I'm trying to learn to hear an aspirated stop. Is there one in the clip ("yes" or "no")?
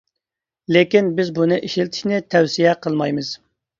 yes